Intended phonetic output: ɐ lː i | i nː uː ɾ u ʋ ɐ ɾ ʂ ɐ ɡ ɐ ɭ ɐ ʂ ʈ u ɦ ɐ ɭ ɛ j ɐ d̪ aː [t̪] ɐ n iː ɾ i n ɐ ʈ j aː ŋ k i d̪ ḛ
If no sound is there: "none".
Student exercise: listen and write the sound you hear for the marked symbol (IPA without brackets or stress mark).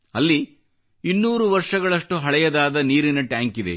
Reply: d̪